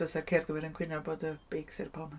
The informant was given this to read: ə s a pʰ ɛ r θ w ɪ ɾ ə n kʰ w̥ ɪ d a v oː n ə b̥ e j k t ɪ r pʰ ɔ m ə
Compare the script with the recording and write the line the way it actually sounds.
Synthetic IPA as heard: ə s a kʰ ɛ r ð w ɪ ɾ ə n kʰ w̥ ɪ n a b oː d ə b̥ e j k s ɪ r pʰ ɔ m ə